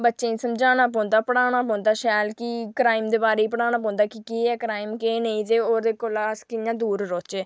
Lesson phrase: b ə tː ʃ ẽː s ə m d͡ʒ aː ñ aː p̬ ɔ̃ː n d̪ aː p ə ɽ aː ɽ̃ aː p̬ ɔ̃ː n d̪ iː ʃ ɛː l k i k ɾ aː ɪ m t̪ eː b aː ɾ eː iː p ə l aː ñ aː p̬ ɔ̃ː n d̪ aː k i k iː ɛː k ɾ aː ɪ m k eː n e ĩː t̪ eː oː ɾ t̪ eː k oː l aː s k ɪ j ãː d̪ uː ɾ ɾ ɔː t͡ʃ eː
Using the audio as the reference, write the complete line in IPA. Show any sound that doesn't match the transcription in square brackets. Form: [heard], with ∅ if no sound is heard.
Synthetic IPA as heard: b ə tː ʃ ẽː s ə m d͡ʒ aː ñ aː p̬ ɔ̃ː n d̪ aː p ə ɽ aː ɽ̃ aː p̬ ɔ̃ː n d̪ [aː] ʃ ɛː l k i k ɾ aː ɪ m [d̪] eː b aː ɾ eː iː p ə [ɽ] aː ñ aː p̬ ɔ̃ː n d̪ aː k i k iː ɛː k ɾ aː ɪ m k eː n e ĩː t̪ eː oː ɾ [d̪] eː k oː l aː s k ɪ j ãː d̪ uː ɾ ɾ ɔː t͡ʃ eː

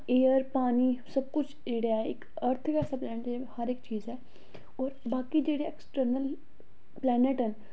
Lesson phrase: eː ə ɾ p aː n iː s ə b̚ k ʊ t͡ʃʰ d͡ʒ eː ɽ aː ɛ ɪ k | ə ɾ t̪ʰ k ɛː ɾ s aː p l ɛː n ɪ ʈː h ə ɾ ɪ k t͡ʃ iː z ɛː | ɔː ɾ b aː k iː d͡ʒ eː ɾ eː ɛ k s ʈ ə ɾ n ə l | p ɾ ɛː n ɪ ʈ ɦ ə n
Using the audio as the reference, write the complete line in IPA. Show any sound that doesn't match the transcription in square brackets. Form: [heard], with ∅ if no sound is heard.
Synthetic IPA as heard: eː ə ɾ p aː n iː s ə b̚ k ʊ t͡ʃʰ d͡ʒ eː ɽ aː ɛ ɪ k | ə ɾ t̪ʰ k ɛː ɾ s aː p l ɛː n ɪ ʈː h ə ɾ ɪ k t͡ʃ iː z ɛː | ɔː ɾ b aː k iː d͡ʒ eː [ɽ] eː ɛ k s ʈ ə ɾ n ə l | p [l] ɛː n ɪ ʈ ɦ ə n

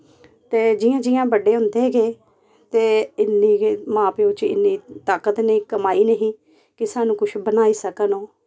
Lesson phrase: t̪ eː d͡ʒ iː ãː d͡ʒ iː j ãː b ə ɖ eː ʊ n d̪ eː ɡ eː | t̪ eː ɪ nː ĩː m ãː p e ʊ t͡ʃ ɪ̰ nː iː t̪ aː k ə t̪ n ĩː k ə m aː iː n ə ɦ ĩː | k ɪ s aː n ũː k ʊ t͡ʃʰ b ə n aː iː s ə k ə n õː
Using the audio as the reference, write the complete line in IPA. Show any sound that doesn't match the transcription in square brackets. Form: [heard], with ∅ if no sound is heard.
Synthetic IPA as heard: t̪ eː d͡ʒ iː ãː d͡ʒ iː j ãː b ə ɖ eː ʊ n d̪ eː ɡ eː | t̪ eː ɪ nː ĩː m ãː p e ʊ t͡ʃ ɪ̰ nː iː t̪ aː k ə t̪ n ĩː k ə m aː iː n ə ɦ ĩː | k ɪ s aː n ũː k ʊ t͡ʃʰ b ə n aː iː s ə k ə n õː

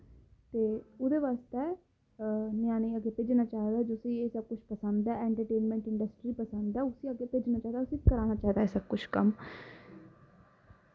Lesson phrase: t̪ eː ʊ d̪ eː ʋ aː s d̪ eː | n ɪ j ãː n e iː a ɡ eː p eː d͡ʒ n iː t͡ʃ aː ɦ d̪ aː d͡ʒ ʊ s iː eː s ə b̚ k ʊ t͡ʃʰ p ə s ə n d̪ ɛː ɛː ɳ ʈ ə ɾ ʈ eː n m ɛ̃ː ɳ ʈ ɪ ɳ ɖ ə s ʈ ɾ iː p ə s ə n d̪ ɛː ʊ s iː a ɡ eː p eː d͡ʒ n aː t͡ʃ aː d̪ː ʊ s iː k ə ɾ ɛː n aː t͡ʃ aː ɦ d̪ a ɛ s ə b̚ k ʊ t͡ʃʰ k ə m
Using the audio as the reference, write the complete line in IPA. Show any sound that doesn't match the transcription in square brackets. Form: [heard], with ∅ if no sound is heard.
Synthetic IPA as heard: t̪ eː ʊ d̪ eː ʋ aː s [t̪] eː | n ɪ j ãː n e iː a ɡ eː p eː d͡ʒ n [aː] t͡ʃ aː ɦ d̪ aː d͡ʒ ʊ s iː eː s ə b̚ k ʊ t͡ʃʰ p ə s ə n d̪ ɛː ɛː ɳ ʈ ə ɾ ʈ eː n m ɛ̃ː ɳ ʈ ɪ ɳ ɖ ə s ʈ ɾ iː p ə s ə n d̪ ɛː ʊ s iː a ɡ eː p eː d͡ʒ n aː t͡ʃ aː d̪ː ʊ s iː k ə ɾ [aː] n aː t͡ʃ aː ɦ d̪ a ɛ s ə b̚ k ʊ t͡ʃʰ k ə m

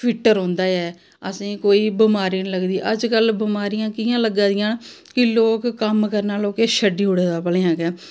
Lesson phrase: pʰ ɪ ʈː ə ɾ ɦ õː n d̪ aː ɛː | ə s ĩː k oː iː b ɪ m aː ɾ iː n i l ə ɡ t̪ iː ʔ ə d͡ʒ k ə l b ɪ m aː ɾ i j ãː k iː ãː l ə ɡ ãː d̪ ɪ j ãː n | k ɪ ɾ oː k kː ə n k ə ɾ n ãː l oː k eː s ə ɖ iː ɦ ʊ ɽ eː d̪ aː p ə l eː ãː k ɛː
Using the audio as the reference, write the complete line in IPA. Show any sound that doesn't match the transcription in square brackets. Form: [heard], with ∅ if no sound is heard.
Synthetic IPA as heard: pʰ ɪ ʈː ə ɾ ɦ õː n d̪ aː ɛː | ə s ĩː k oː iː b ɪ m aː ɾ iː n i l ə ɡ [d̪] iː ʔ ə d͡ʒ k ə l b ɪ m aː ɾ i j ãː k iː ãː l ə ɡ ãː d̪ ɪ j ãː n | k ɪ [l] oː k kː ə [m] k ə ɾ n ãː l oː k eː [ʃ] ə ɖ iː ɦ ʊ ɽ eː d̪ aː p ə l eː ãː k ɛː

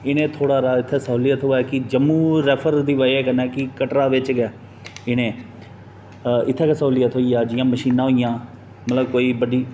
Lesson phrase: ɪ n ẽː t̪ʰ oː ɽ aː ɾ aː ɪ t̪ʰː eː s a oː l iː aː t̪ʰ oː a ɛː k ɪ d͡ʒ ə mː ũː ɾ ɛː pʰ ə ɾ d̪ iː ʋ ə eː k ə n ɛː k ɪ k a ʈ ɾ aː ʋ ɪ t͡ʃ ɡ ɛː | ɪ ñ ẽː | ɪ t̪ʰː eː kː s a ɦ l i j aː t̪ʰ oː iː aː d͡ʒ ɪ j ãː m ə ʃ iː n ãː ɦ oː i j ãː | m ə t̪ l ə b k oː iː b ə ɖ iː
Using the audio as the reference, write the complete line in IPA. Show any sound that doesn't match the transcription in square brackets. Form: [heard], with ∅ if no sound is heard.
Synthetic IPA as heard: ɪ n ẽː t̪ʰ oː ɽ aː ɾ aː ɪ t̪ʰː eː s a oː l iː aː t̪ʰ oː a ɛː k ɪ d͡ʒ ə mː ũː ɾ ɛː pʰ ə ɾ d̪ iː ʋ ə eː k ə n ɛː k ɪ k [ə] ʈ ɾ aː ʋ ɪ t͡ʃ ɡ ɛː | ɪ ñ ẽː | ɪ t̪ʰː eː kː s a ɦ l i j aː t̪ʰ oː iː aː d͡ʒ ɪ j ãː m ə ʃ iː n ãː ɦ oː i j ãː | m ə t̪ l ə b k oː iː b ə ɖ iː

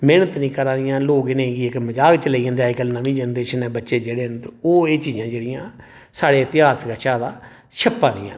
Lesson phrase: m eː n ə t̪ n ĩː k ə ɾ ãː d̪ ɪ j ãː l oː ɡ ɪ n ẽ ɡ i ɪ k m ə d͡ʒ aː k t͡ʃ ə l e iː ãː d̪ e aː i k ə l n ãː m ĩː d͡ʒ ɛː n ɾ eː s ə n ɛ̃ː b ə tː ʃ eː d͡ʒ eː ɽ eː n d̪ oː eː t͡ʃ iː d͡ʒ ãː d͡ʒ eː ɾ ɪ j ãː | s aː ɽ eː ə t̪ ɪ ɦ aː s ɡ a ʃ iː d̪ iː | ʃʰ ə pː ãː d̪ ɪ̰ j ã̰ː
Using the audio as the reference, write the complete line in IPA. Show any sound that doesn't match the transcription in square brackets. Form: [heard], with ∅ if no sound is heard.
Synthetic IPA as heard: m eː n ə t̪ n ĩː k ə ɾ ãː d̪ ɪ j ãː l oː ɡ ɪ n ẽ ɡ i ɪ k m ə d͡ʒ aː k t͡ʃ ə l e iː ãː d̪ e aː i k ə l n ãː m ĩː d͡ʒ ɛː n ɾ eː [ʃ] ə n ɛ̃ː b ə tː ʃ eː d͡ʒ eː ɽ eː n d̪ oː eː t͡ʃ iː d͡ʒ ãː d͡ʒ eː [ɽ] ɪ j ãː | s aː ɽ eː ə t̪ ɪ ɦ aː s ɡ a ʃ [aː] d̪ [aː] | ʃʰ ə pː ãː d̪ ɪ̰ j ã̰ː

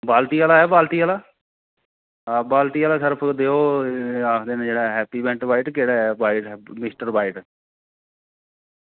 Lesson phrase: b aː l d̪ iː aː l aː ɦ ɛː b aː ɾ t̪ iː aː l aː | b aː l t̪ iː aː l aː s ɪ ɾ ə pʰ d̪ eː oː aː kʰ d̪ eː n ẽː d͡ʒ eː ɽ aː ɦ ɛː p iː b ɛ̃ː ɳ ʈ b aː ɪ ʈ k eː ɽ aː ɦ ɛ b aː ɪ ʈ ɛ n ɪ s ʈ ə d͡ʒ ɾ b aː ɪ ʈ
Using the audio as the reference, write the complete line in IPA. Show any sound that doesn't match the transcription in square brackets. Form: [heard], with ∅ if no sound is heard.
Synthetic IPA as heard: b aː l [t̪] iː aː l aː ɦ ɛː b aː [l] t̪ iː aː l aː | b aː l t̪ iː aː l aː s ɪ ɾ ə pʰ d̪ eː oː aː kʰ d̪ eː n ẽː d͡ʒ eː ɽ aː ɦ ɛː p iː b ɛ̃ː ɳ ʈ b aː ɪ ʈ k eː ɽ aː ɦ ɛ b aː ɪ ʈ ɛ [m] ɪ s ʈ ə [∅] ɾ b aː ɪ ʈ

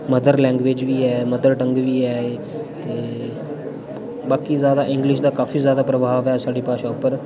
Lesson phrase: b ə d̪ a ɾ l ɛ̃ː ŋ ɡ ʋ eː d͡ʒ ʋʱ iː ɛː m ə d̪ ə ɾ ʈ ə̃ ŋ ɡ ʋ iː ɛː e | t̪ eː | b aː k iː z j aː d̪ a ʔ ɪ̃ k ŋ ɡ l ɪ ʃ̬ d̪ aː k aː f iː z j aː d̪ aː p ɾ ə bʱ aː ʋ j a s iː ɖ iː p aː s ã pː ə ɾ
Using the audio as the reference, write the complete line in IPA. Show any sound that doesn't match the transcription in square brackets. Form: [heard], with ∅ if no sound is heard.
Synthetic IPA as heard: [m] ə d̪ [ə] ɾ l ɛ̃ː ŋ ɡ ʋ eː d͡ʒ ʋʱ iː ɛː m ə d̪ ə ɾ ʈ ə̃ ŋ ɡ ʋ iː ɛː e | t̪ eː | b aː k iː z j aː d̪ a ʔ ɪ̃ [∅] ŋ ɡ l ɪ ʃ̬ d̪ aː k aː f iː z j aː d̪ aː p ɾ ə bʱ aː ʋ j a s [aː] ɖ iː p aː [ʃ] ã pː ə ɾ

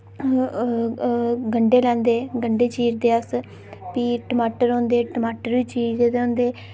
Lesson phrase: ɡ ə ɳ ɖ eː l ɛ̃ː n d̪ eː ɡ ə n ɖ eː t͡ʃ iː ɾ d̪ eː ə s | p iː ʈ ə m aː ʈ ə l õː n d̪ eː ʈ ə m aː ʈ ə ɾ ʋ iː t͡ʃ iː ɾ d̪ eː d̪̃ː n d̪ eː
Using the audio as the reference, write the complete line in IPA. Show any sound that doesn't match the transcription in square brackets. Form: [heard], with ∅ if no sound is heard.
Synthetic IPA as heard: ɡ ə ɳ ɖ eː l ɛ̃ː n d̪ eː ɡ ə [ɳ] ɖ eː t͡ʃ iː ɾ d̪ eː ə s | p iː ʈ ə m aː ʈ ə [ɾ] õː n d̪ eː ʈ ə m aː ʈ ə ɾ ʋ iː t͡ʃ iː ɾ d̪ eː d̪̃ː n d̪ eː

